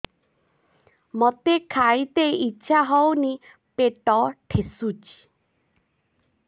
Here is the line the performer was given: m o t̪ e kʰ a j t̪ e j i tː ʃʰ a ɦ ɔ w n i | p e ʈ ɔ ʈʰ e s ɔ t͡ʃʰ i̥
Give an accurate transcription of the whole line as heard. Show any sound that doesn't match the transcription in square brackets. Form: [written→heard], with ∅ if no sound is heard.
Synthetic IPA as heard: m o t̪ e kʰ a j t̪ e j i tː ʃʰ a ɦ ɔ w n i | p e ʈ ɔ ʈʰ e s [ɔ→u] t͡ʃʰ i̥